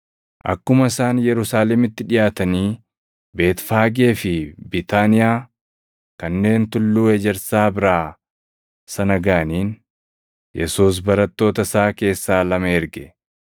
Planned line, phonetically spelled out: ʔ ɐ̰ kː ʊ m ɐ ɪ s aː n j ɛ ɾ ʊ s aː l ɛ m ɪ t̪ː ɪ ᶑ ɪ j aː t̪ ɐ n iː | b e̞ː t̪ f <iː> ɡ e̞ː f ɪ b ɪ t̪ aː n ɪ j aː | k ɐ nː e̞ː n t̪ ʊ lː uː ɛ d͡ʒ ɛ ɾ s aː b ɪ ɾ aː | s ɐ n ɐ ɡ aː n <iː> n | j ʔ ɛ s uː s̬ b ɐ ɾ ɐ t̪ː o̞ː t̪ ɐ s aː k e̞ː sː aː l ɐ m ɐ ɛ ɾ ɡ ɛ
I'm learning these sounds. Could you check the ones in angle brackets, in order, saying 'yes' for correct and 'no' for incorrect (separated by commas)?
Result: no, yes